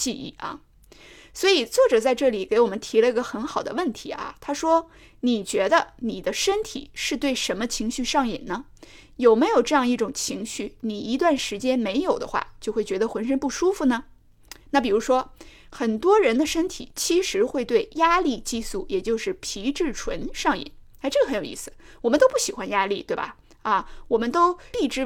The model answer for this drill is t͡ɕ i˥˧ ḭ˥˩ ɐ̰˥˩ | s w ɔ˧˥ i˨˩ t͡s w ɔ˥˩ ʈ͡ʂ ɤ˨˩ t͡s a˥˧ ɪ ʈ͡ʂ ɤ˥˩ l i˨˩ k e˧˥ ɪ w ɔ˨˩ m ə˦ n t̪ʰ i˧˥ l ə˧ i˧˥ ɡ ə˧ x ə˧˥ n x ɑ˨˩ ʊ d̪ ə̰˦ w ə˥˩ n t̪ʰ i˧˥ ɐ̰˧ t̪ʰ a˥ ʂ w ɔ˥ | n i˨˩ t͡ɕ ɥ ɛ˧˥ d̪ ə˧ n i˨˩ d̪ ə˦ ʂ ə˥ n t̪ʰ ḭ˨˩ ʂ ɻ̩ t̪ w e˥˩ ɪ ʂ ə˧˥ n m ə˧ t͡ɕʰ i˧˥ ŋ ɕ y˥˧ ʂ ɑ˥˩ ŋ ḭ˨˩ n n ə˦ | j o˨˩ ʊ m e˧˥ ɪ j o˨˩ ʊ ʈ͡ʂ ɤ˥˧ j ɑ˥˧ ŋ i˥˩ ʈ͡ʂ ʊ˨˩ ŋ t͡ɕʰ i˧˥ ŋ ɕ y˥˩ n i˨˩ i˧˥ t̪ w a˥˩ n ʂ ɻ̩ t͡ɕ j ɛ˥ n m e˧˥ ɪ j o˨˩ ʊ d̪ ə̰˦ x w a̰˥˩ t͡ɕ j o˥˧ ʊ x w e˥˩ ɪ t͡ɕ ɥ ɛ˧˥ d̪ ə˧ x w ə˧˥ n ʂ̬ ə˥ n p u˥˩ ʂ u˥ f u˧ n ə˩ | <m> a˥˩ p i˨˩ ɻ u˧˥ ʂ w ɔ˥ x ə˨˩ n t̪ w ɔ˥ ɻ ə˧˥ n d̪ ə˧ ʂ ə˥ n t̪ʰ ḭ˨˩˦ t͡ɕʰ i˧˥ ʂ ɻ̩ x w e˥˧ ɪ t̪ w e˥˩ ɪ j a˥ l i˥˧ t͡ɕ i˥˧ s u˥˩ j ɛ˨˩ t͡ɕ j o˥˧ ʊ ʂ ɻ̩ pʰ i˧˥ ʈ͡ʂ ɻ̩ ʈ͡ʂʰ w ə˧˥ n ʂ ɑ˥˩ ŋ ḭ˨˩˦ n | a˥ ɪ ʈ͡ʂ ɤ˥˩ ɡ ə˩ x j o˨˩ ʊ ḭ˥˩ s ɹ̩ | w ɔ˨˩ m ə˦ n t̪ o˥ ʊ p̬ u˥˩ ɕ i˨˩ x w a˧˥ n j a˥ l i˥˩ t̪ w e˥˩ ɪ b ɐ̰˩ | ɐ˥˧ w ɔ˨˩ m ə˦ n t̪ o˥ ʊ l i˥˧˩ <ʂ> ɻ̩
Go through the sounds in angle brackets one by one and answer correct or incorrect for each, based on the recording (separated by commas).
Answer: incorrect, incorrect